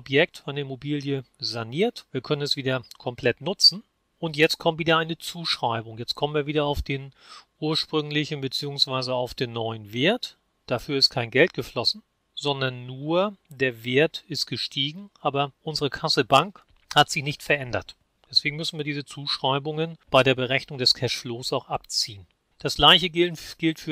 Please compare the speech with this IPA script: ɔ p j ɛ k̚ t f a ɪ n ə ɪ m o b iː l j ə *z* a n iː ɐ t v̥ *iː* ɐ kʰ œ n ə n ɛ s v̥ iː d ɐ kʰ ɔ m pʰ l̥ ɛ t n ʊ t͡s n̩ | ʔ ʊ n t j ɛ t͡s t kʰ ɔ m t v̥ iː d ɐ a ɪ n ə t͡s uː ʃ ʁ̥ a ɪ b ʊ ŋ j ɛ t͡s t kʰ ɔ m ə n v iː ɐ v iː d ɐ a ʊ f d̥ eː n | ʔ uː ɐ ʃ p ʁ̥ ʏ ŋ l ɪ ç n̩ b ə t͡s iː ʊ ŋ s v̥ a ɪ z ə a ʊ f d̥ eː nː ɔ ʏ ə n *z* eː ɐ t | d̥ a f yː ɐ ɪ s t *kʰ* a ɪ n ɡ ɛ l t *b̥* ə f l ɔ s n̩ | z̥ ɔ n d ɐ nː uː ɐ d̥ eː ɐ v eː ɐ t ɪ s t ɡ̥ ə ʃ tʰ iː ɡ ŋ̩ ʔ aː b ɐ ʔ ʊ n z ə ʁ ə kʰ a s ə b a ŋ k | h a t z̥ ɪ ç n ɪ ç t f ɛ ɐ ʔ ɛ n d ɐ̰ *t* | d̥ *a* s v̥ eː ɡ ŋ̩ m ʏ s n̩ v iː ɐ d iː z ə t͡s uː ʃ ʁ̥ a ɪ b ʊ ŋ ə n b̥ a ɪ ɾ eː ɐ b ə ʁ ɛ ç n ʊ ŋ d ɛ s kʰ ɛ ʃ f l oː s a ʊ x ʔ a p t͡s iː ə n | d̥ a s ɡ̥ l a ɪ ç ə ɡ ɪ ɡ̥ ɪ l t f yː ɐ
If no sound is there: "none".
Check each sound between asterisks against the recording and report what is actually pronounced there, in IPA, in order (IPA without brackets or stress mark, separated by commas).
z, iː, v, kʰ, ɡ̥, t, ɛ